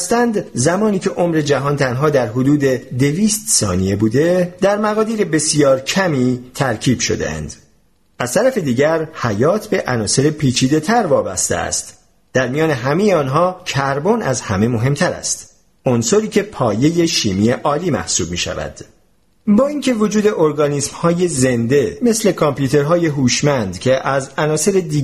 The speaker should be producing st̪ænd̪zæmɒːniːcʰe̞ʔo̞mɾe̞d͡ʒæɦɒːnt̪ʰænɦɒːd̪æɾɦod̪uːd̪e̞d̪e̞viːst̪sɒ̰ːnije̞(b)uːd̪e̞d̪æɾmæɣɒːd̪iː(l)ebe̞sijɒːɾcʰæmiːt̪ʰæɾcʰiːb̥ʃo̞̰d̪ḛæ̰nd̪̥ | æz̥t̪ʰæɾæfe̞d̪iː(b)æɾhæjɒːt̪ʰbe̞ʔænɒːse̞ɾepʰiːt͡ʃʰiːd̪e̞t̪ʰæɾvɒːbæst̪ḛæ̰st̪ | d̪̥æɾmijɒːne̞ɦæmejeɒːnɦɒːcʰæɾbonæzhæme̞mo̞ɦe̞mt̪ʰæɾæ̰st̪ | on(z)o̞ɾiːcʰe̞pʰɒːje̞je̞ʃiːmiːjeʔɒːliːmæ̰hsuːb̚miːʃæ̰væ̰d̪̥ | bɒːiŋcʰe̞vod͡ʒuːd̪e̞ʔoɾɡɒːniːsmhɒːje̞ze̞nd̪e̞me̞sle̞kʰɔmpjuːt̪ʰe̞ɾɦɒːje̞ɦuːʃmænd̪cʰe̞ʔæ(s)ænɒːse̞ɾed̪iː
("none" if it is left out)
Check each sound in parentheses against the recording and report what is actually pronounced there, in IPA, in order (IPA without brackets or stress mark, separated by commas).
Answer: b, ɾ, ɟ, s, z